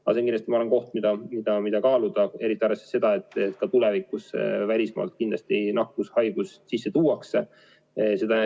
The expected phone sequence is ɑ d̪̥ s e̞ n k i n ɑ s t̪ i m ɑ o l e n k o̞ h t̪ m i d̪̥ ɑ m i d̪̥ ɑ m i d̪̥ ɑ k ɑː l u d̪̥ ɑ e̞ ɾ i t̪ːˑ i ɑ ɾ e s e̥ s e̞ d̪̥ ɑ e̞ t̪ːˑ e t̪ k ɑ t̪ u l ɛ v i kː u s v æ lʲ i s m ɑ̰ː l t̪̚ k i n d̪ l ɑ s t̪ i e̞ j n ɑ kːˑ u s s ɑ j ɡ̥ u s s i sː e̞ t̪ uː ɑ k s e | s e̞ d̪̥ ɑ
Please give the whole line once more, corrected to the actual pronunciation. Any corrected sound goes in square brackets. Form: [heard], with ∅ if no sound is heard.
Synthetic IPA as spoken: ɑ [∅] s e̞ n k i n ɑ s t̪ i m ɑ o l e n k o̞ h t̪ m i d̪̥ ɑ m i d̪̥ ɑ m i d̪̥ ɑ k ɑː l u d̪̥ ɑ e̞ ɾ i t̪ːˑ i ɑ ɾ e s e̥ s e̞ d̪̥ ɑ e̞ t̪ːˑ e t̪ k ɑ t̪ u l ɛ v i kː u s v æ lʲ i s m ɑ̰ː l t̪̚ k i n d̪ l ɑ s t̪ i e̞ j n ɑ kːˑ u s [h] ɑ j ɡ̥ u s s i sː e̞ t̪ uː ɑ k s e | s e̞ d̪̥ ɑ